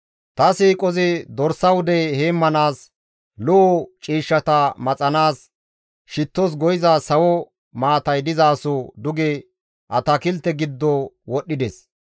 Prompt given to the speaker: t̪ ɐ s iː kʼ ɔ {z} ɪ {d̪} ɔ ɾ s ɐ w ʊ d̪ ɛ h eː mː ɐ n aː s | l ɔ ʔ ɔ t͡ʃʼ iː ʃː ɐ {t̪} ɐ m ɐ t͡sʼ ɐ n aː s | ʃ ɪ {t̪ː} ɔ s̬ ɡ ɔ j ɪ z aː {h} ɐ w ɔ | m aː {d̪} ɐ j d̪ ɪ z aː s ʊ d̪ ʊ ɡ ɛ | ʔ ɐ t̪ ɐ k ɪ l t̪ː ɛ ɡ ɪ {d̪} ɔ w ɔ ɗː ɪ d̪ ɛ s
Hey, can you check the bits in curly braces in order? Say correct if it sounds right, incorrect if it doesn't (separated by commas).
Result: correct, correct, correct, correct, incorrect, incorrect, incorrect